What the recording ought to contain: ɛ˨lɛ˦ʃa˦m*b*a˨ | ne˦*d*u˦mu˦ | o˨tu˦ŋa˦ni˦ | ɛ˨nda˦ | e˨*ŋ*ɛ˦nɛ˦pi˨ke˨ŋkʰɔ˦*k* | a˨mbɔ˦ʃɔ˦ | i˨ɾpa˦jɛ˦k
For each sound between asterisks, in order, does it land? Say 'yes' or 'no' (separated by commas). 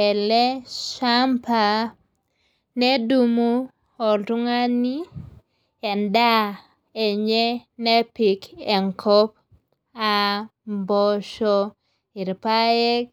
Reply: no, yes, no, no